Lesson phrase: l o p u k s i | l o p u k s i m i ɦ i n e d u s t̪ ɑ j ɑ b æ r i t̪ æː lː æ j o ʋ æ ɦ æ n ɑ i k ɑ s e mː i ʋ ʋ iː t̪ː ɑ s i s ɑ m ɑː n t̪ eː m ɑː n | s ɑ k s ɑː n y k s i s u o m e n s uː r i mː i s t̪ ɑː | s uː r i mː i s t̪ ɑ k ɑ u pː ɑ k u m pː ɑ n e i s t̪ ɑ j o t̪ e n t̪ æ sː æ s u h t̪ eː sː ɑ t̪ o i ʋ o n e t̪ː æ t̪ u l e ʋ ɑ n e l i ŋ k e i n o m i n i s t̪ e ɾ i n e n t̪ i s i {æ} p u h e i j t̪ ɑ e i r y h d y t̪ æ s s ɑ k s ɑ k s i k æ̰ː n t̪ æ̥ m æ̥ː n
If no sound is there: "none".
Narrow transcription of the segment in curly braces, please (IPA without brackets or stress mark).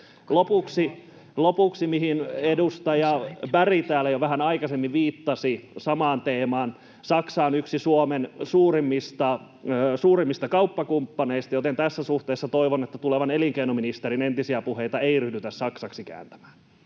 æ